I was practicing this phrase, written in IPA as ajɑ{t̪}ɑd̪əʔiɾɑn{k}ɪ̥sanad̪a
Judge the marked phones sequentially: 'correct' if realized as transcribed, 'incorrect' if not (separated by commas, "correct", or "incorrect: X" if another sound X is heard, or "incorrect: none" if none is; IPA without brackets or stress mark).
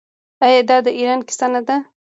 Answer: incorrect: d̪, correct